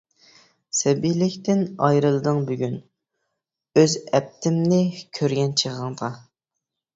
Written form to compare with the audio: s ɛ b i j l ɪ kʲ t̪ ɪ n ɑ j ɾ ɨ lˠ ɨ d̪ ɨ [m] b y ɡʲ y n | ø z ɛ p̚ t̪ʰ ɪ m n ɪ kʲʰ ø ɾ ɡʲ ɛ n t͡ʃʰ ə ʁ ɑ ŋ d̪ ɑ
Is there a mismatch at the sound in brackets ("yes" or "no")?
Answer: yes